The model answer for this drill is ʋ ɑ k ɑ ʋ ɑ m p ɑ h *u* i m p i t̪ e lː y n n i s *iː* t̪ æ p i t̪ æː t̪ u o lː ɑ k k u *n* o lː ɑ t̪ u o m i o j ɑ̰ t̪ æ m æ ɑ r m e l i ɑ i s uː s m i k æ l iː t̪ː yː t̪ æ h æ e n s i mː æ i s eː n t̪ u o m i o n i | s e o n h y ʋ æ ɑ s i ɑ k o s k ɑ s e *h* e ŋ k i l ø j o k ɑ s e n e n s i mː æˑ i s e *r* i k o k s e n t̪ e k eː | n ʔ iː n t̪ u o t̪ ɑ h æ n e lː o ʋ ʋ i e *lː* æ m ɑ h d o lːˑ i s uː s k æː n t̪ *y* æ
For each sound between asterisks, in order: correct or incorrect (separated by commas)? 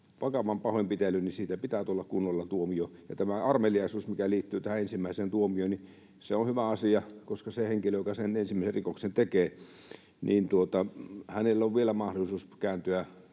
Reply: incorrect, correct, incorrect, correct, correct, incorrect, correct